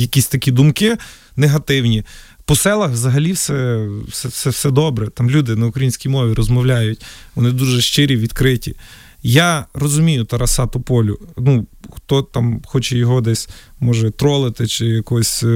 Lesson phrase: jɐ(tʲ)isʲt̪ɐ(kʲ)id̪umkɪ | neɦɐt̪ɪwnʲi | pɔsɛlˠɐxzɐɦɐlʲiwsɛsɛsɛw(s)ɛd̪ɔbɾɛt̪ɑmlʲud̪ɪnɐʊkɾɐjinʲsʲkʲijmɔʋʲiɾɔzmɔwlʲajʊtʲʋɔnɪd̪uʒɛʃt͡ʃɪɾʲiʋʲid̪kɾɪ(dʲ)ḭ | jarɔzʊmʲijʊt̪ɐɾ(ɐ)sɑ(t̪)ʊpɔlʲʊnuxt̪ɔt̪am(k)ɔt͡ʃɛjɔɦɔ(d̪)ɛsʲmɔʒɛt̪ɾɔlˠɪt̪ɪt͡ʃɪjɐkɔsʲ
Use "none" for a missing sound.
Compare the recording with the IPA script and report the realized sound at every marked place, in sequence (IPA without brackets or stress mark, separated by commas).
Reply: kʲ, kʲ, s, tʲ, ɐ, t̪, x, d̪